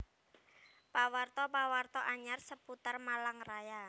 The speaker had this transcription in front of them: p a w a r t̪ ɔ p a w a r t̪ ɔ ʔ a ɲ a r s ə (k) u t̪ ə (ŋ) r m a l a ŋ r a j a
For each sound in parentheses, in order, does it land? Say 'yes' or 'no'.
no, no

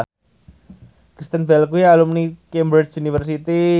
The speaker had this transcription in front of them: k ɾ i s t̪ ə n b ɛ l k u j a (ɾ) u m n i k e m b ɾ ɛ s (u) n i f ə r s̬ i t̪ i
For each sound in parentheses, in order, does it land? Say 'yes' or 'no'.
no, yes

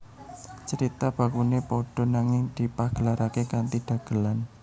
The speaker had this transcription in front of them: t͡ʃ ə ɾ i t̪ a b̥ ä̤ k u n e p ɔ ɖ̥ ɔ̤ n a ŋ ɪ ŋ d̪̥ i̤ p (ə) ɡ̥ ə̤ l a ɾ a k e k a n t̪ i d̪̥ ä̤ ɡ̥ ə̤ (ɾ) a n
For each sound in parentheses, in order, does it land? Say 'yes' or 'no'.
no, no

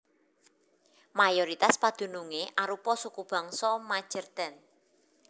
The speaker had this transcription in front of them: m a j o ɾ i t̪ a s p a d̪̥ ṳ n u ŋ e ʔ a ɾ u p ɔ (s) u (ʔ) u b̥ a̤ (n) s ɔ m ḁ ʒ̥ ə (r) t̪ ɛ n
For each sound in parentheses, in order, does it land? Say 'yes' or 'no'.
yes, no, no, yes

